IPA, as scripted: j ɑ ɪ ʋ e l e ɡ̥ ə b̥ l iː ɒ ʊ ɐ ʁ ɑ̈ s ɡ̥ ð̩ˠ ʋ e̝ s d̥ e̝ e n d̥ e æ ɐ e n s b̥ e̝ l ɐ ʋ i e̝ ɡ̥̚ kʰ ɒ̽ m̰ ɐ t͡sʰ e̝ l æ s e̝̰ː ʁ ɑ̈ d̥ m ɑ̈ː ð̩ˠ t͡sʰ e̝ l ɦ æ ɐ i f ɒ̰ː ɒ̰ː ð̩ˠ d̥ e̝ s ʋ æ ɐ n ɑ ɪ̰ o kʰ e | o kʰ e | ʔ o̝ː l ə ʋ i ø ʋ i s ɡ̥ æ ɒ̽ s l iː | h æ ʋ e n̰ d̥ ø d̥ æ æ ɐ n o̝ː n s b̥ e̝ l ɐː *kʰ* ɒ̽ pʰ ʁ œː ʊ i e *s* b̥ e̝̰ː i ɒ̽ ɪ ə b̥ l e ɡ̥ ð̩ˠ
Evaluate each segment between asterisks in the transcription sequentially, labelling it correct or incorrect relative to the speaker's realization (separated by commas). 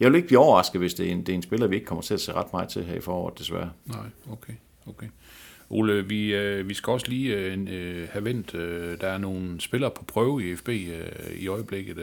incorrect, incorrect